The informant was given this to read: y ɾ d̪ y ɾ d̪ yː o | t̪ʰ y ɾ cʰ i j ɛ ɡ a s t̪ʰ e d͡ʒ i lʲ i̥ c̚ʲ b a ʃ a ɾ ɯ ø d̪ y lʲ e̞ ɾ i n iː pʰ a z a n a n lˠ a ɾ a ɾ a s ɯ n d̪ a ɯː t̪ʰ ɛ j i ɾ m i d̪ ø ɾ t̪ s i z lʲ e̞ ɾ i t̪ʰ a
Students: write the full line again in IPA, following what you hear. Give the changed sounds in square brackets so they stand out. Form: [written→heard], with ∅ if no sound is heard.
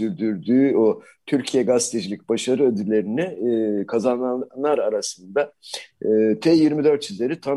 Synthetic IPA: y ɾ d̪ y ɾ d̪ yː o | t̪ʰ y ɾ cʰ i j ɛ ɡ a s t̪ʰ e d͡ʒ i lʲ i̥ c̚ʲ b a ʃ a ɾ ɯ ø d̪ y lʲ e̞ ɾ i n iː [pʰ→kʰ] a z a n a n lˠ a ɾ a ɾ a s ɯ n d̪ a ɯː t̪ʰ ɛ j i ɾ m i d̪ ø ɾ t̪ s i z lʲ e̞ ɾ i t̪ʰ a